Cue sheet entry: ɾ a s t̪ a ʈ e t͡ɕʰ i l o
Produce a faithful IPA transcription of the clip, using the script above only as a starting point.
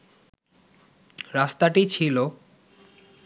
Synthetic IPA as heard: ɾ a s t̪ a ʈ i t͡ɕʰ i l o